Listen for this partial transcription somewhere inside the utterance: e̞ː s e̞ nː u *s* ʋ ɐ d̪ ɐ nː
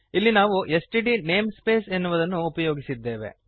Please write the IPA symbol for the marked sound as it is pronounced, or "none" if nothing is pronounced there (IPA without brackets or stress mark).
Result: none